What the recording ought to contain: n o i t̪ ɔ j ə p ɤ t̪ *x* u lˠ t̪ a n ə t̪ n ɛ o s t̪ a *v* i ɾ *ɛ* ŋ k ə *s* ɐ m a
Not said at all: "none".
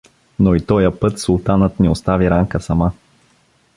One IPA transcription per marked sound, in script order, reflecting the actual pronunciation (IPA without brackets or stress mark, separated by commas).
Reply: s, v, a, s